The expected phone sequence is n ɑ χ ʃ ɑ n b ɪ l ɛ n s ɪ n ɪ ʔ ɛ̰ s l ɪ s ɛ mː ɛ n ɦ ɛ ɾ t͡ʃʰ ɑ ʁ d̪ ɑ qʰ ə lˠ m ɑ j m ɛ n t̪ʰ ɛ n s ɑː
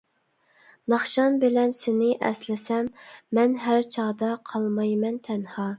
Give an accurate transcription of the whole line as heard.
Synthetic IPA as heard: n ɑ χ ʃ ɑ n b ɪ l ɛ n s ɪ n ɪ ʔ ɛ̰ s l ɪ s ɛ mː ɛ n ɦ æ ɾ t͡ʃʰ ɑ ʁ d̪ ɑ qʰ ɑ lˠ m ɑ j m ɛ n t̪ʰ ɛ n h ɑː

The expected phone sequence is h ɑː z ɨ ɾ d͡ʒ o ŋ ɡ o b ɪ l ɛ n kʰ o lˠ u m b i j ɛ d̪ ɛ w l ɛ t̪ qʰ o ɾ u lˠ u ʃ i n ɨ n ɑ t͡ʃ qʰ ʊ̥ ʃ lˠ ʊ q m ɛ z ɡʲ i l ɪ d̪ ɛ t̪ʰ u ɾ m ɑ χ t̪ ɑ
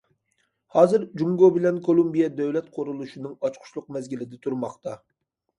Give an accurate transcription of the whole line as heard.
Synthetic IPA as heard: h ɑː z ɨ ɾ d͡ʒ u ŋ ɡ o b ɪ l ɛ n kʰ o lˠ u m b i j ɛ d̪ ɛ w l ɛ t̪ qʰ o ɾ u lˠ u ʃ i n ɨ ŋ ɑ t͡ʃ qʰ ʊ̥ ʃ lˠ ʊ q m ɛ z ɡʲ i l ɪ d̪ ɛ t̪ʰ u ɾ m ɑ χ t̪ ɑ

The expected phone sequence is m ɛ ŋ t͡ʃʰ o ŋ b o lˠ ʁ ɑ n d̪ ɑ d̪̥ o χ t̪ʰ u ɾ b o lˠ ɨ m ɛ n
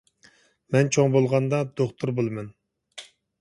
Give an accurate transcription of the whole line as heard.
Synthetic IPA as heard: m ɛ n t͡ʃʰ o ŋ b o lˠ ʁ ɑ n d̪ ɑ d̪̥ o χ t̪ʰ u ɾ b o lˠ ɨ m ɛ n

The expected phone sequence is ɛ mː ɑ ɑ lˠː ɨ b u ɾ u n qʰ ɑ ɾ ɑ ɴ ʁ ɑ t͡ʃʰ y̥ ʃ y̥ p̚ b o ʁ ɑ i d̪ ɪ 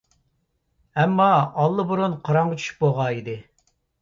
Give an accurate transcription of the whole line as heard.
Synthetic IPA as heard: ɛ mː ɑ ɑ lˠː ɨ b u ɾ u n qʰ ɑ ɾ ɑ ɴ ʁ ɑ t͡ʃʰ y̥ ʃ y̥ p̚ b o ʁ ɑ i d̪ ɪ

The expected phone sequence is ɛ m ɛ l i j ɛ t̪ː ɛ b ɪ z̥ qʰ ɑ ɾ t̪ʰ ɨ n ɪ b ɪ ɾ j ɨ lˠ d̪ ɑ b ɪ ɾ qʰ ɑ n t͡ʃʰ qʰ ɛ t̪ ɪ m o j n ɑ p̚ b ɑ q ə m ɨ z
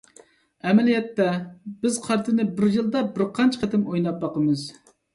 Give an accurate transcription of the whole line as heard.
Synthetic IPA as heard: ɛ m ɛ l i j ɛ t̪ː ɛ b ɪ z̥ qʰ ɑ ɾ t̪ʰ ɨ n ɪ b ɪ ɾ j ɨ lˠ d̪ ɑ b ɪ ɾ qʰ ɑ n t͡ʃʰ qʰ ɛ t̪ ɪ m o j n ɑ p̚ b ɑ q ə m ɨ z

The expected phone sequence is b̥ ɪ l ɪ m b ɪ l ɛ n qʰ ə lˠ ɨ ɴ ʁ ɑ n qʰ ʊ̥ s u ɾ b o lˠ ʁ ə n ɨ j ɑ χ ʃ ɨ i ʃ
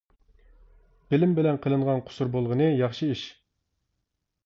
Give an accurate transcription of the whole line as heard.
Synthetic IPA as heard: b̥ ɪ l ɪ m b ɪ l ɛ n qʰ ə lˠ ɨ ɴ ʁ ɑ n qʰ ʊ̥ s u ɾ b o lˠ ʁ ə n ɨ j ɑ χ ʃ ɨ i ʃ

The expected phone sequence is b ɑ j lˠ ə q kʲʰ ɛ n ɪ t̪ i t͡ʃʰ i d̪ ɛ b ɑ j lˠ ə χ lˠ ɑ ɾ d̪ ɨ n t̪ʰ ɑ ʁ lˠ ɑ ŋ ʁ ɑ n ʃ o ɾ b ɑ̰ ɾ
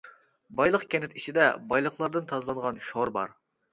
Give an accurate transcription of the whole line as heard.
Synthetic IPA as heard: b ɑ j lˠ ə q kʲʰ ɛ n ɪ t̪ i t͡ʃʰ i d̪ ɛ b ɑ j lˠ ə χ lˠ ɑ ɾ d̪ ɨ n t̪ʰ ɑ z lˠ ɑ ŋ ʁ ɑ n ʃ o ɾ b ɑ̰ ɾ

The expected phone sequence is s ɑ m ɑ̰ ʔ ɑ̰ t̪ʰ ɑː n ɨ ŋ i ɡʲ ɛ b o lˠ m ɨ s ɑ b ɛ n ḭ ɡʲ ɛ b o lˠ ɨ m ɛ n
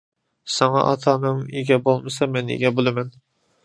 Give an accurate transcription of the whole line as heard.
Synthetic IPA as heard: s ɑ ŋ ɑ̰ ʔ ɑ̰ t̪ʰ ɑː n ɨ ŋ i ɡʲ ɛ b o lˠ m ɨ s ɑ m ɛ n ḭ ɡʲ ɛ b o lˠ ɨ m ɛ n

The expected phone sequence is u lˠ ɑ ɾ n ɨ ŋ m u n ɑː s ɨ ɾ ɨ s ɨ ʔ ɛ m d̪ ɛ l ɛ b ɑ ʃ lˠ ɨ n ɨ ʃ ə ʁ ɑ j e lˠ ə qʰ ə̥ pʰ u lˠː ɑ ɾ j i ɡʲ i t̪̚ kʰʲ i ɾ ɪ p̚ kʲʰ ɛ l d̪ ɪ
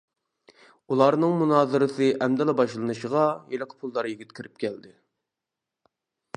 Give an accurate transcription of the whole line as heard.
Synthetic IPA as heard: u lˠ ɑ ɾ n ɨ ŋ m u n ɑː z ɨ ɾ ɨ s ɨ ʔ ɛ m d̪ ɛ l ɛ b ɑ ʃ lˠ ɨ n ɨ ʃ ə ʁ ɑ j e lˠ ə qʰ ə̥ pʰ u lˠː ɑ ɾ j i ɡʲ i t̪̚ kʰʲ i ɾ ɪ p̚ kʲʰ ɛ l d̪ ɪ

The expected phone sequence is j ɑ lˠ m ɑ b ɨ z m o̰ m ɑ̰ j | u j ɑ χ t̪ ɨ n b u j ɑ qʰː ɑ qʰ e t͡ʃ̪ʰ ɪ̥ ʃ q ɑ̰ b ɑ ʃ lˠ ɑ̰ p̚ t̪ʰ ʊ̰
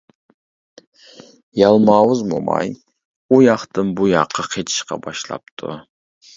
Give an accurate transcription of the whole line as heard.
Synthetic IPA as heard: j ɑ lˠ m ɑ w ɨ z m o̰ m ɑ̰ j | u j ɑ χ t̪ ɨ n b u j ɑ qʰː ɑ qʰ e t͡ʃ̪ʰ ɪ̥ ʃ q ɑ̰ b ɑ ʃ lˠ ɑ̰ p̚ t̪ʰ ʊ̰

